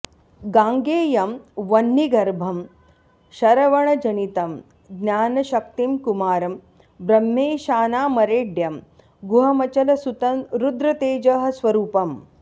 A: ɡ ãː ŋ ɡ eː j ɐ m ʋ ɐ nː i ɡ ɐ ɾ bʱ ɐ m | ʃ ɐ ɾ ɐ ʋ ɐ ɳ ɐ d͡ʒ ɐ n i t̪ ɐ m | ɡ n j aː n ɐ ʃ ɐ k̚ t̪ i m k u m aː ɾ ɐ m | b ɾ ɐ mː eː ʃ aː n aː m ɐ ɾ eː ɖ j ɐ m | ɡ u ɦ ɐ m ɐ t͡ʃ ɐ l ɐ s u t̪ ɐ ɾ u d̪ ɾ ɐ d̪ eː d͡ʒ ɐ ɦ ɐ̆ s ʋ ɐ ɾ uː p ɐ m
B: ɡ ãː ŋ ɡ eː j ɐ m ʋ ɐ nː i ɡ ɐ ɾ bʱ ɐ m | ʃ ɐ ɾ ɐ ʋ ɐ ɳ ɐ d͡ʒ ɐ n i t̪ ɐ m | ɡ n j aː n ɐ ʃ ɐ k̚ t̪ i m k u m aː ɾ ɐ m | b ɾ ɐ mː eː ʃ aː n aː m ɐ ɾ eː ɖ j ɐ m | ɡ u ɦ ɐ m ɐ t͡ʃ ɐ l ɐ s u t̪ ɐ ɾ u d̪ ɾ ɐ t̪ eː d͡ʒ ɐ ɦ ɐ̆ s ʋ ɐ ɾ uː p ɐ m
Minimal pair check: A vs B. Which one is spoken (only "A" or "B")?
B